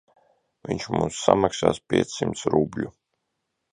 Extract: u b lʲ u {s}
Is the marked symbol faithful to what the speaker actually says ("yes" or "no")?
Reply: no